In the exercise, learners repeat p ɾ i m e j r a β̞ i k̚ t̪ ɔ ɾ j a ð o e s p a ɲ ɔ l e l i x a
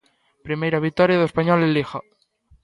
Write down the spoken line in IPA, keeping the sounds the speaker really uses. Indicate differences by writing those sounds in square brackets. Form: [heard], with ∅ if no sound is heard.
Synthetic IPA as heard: p ɾ i m e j [ɾ] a β̞ i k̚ t̪ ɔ ɾ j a ð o e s p a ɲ ɔ l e l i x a